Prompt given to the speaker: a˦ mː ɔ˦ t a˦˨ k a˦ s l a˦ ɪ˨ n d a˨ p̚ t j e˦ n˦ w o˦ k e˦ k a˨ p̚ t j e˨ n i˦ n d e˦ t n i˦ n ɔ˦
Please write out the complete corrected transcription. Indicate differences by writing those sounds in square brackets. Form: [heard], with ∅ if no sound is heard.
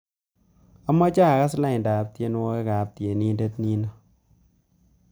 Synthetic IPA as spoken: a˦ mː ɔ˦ [t͡ʃ] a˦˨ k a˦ s l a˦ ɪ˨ n d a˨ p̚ t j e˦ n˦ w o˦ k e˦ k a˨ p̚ t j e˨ n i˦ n d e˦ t n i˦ n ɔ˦